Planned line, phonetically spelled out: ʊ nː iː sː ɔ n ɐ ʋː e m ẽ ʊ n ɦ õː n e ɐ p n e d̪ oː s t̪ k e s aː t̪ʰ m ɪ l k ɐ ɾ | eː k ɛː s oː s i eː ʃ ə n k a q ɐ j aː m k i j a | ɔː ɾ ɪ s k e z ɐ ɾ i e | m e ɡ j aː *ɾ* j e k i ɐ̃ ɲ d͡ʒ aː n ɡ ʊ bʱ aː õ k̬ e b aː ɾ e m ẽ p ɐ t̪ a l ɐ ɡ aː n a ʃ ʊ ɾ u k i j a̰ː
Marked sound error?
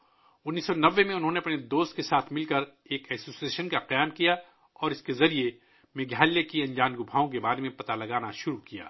yes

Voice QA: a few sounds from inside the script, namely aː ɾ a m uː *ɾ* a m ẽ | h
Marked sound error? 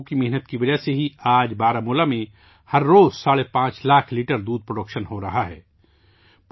yes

